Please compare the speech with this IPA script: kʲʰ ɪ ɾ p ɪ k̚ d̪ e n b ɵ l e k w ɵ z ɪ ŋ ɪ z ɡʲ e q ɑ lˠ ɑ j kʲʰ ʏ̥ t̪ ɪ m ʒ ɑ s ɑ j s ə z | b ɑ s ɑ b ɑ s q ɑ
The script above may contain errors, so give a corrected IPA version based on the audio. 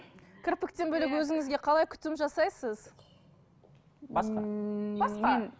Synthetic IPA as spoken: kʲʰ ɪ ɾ p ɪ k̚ t̪ e n b ɵ l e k w ɵ z ɪ ŋ ɪ z ɡʲ e qʰ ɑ lˠ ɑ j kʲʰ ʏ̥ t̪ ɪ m ʒ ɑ s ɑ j s ə z | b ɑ s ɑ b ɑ s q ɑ